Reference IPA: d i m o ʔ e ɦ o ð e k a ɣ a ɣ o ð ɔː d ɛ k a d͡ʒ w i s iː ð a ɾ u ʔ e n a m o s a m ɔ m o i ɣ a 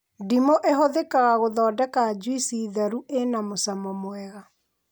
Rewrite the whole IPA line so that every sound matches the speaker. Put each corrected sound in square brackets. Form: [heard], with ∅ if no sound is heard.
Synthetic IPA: d i m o ʔ e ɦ o ð e k a ɣ a ɣ o ð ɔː d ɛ k a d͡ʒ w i s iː ð a ɾ u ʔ e n a m o s a m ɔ m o [ɛ] ɣ a